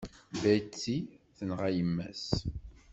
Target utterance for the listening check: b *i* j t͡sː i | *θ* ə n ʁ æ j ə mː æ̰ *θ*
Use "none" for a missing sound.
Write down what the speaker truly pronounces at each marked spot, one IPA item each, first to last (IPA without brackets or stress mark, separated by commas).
æ, θ, s